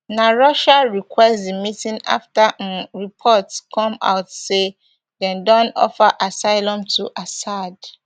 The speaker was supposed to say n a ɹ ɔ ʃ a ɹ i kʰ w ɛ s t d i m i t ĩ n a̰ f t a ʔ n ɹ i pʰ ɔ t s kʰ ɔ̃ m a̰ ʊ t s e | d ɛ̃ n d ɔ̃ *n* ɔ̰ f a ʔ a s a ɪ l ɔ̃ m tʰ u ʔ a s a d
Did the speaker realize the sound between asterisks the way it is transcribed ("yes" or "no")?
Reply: yes